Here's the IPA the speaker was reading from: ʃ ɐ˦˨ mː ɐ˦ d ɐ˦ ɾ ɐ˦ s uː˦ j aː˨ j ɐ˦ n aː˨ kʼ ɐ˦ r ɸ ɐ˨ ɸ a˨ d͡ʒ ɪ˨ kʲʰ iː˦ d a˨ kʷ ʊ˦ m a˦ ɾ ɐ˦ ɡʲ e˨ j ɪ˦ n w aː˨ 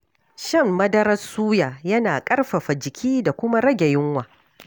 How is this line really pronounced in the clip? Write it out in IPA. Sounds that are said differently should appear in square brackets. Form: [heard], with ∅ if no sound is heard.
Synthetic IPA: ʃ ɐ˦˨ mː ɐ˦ d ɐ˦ ɾ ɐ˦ s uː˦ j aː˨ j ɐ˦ n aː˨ kʼ ɐ˦ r ɸ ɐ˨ ɸ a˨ d͡ʒ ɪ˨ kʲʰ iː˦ d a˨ kʷ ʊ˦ m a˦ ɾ ɐ˦ ɡʲ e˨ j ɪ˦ [ŋ] w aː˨

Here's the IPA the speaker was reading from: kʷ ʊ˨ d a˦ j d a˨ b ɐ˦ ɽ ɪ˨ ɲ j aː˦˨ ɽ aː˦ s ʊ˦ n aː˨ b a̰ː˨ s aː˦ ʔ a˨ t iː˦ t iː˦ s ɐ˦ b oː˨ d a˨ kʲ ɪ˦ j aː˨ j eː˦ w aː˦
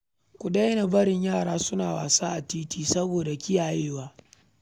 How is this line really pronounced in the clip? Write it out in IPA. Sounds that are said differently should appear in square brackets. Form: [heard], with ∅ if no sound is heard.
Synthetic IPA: kʷ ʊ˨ d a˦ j [n] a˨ b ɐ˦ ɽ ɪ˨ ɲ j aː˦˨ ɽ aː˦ s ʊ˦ n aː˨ [w] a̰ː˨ s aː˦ ʔ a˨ t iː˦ t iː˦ s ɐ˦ b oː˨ d a˨ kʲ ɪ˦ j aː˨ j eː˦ w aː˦

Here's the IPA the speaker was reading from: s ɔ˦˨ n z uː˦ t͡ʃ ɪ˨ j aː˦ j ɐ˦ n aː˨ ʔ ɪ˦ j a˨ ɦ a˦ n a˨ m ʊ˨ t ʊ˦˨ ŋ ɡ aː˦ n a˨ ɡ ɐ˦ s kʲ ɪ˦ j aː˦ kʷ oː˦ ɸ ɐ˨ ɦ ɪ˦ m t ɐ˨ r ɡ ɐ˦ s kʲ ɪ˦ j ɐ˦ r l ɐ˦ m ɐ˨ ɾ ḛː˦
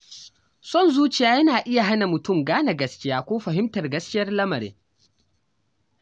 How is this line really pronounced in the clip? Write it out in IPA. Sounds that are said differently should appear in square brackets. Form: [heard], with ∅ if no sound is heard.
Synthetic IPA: s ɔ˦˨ n z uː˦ t͡ʃ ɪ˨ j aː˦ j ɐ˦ n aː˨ ʔ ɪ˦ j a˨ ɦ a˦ n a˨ m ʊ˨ t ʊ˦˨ [m] ɡ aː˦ n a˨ ɡ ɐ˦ s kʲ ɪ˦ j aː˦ kʷ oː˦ ɸ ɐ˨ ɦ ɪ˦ m t ɐ˨ r ɡ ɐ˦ s kʲ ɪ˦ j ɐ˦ r l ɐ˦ m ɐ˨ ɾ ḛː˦

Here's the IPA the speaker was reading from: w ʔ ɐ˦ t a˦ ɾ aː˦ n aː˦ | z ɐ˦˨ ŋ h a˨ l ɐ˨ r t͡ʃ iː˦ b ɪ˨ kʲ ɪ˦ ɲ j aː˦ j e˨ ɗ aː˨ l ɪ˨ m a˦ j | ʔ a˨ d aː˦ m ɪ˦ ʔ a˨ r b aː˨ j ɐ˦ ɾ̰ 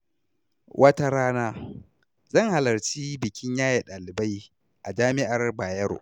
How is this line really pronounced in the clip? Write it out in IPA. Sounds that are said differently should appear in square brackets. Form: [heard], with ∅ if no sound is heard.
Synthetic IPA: w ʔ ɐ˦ t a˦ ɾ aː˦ n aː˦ | z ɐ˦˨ ŋ h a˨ l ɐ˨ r t͡ʃ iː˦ b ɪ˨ kʲ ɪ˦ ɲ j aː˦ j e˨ ɗ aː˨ l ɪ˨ [b] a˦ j | ʔ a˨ [d͡ʒ] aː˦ m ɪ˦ ʔ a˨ r b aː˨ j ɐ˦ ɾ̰

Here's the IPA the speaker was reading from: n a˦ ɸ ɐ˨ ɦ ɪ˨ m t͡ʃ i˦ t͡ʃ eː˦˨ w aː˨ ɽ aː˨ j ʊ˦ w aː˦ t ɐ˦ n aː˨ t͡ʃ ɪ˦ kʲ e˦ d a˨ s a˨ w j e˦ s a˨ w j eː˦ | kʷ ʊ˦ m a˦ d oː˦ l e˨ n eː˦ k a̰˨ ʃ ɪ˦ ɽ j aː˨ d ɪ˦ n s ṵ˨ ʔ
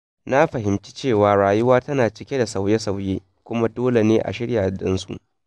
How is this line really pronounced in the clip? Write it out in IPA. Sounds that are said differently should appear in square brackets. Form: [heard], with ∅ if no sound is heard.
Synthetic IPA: n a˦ ɸ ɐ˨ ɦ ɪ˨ m t͡ʃ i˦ t͡ʃ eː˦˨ w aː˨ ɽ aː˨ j ʊ˦ w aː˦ t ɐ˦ n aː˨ t͡ʃ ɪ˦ kʲ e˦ d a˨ s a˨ w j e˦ s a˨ w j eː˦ | kʷ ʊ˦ m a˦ d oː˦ l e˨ n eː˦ [ʔ] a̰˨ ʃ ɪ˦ ɽ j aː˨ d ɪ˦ n s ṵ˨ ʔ

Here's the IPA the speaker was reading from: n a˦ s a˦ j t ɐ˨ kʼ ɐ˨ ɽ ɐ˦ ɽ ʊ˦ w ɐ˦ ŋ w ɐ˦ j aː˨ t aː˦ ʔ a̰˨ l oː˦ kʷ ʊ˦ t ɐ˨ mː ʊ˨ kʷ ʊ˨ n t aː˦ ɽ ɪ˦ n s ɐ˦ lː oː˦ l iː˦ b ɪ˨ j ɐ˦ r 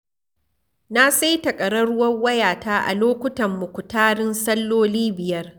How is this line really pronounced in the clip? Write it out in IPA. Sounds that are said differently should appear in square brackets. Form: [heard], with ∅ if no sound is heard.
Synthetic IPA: n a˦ s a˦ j t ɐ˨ kʼ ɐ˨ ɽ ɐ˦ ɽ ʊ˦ w ɐ˦ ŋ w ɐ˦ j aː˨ t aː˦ ʔ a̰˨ l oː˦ kʷ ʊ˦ t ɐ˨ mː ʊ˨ kʷ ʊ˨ [∅] t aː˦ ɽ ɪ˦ n s ɐ˦ lː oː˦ l iː˦ b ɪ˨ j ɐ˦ r

